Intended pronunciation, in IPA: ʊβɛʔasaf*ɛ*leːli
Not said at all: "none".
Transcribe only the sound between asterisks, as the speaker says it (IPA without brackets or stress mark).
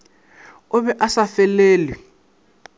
ɛ